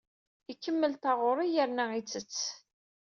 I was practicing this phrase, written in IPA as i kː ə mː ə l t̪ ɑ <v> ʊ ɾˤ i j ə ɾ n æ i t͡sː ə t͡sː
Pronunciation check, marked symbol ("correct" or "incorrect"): incorrect